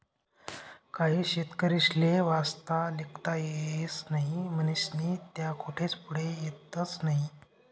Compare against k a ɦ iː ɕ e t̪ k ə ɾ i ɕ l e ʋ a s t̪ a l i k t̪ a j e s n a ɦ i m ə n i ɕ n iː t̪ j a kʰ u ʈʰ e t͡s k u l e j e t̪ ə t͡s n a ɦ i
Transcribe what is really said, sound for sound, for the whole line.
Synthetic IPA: k a ɦ iː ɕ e t̪ k ə ɾ i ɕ l e ʋ a s t̪ a l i k t̪ a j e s n a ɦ i m ə n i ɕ n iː t̪ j a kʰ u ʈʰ e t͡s p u ɽ e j e t̪ ə t͡s n a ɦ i